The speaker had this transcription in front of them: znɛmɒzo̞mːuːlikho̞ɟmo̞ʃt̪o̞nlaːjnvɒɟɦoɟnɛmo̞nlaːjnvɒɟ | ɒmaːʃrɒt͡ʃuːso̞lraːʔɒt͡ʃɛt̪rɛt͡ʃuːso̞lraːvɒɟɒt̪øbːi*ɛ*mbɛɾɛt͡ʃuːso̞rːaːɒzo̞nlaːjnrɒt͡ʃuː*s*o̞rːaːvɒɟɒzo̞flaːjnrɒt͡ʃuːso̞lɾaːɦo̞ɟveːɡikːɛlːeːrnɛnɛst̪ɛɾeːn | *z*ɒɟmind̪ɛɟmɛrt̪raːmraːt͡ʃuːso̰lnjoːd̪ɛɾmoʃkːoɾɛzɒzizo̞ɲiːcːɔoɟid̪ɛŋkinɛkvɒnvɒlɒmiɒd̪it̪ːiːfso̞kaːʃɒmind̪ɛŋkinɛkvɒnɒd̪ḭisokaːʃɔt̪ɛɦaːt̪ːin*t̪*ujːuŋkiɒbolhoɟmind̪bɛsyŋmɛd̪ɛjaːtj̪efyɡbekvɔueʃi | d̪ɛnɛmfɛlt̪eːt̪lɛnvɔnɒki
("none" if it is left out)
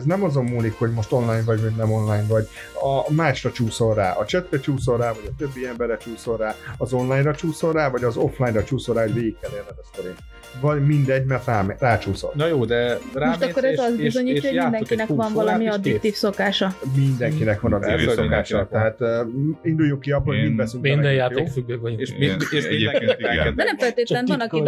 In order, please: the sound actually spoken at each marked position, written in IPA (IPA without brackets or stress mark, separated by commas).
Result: ɛ, s, v, d̪